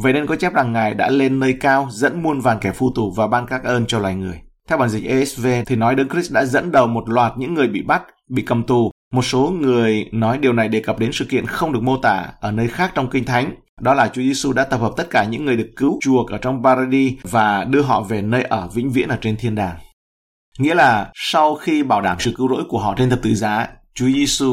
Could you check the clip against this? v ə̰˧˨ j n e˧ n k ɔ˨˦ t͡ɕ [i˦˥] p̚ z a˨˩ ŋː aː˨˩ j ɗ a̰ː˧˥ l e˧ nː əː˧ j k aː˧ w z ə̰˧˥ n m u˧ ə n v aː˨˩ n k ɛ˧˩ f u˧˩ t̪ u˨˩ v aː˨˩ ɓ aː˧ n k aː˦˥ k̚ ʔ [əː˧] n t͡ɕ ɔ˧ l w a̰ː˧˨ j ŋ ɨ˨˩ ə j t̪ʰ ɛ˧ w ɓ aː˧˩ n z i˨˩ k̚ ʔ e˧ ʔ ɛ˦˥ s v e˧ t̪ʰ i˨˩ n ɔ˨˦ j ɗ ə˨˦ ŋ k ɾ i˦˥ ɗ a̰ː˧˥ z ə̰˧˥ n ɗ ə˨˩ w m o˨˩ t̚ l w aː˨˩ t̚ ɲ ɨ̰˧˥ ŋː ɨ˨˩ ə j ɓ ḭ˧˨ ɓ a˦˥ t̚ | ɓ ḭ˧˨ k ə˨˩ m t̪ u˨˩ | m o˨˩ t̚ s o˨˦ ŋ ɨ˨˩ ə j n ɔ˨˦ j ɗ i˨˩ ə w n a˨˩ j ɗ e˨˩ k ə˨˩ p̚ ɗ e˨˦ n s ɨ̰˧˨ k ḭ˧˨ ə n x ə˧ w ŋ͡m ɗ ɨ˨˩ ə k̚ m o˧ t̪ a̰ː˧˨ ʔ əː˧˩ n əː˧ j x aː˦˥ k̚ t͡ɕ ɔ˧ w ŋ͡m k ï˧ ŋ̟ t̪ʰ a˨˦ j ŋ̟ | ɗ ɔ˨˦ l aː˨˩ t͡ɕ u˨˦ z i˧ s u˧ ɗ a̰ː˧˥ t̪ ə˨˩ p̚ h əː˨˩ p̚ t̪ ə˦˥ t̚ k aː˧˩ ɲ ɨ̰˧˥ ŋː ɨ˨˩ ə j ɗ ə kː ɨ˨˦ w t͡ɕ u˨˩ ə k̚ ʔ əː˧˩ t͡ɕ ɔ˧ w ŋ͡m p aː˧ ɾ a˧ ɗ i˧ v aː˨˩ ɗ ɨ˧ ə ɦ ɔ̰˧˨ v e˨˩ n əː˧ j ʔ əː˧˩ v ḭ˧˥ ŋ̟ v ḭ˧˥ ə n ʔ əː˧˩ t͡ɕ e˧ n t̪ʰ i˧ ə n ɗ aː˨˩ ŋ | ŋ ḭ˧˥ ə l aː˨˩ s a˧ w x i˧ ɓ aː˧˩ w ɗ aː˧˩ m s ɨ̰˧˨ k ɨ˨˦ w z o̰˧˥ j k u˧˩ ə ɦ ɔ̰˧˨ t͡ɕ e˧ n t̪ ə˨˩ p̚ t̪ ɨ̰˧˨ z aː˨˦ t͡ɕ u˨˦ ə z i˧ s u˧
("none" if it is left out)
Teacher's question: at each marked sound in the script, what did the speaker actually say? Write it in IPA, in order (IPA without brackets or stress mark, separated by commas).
ɛ˦˥, əː˧